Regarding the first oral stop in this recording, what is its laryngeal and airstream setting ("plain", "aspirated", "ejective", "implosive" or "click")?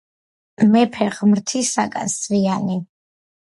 aspirated